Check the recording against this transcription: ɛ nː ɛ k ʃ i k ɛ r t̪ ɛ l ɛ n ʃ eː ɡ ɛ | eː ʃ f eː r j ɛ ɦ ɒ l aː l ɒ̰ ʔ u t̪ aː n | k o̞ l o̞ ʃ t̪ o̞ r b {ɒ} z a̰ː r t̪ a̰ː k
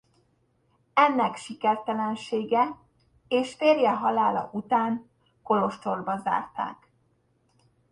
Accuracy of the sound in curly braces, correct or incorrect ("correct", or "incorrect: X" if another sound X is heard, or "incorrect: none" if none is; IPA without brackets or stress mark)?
correct